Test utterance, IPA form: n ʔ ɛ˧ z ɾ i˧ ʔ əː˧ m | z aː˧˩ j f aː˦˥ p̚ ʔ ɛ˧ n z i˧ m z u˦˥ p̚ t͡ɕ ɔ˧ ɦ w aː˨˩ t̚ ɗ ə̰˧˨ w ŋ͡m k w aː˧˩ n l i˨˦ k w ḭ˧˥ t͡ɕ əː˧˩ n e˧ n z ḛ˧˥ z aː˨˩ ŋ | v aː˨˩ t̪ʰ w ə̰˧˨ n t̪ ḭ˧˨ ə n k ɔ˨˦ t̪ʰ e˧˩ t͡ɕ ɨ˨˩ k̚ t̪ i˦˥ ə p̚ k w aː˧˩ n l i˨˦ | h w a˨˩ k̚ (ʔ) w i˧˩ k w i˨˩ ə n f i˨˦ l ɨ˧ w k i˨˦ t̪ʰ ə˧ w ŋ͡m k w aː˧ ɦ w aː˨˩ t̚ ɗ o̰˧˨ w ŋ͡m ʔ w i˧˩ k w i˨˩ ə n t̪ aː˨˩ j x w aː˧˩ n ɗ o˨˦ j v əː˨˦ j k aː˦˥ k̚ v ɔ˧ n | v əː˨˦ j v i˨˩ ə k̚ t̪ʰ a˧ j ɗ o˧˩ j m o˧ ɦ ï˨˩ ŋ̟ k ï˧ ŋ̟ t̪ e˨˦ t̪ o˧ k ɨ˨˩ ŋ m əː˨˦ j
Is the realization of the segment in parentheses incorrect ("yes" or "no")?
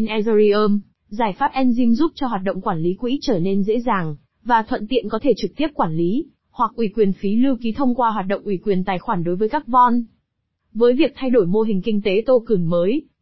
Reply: no